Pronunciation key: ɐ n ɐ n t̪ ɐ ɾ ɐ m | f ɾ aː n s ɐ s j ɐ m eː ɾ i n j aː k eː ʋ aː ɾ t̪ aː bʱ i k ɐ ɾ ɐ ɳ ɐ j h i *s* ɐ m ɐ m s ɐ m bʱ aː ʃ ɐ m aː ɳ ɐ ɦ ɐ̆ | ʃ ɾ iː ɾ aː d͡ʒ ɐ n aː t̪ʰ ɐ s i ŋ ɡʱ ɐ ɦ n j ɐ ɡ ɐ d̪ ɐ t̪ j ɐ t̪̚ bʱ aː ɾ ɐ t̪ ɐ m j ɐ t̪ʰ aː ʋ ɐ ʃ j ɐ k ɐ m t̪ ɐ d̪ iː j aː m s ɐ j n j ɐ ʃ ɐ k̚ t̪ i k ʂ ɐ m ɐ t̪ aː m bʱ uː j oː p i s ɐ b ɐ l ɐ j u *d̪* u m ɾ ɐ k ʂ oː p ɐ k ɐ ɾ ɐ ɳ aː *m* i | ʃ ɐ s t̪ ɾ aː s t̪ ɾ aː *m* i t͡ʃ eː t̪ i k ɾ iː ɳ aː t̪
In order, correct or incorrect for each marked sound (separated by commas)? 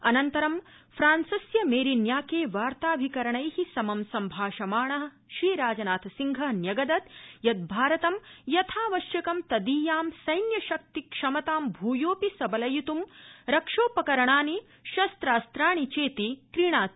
correct, incorrect, incorrect, incorrect